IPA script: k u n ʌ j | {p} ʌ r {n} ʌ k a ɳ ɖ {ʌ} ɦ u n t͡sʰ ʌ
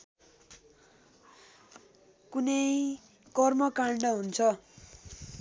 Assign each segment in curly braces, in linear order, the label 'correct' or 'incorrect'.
incorrect: k, incorrect: m, correct

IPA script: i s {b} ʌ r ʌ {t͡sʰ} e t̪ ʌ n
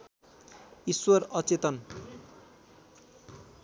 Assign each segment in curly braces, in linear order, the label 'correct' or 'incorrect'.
incorrect: w, incorrect: t͡s

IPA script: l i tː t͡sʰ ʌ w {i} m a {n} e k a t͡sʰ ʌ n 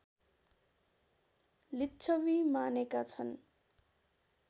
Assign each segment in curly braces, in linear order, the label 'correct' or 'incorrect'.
correct, correct

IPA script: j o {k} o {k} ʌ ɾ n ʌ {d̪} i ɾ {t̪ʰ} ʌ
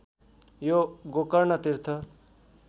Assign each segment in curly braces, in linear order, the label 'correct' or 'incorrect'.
incorrect: ɡ, correct, incorrect: t̪, correct

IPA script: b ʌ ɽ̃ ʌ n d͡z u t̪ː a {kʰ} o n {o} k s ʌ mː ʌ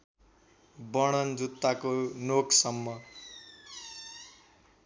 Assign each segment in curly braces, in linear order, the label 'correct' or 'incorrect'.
incorrect: k, correct

